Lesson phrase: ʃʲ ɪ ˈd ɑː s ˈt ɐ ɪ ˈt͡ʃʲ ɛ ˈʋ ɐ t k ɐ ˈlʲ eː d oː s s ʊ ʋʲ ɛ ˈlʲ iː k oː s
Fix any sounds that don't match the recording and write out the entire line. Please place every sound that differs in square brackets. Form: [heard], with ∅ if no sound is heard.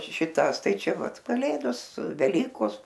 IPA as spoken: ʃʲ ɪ [ˈt] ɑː s ˈt ɐ ɪ ˈt͡ʃʲ ɛ ˈʋ ɐ t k ɐ ˈlʲ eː d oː s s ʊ ʋʲ ɛ ˈlʲ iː k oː s